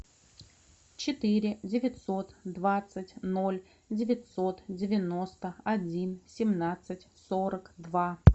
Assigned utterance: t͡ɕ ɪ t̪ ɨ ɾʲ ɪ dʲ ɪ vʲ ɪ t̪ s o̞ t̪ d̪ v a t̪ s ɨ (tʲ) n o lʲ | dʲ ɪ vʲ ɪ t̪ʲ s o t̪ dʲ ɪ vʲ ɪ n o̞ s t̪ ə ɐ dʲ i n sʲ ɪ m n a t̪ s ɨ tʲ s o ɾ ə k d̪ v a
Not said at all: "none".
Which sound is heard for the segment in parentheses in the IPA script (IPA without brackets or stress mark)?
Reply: tʲ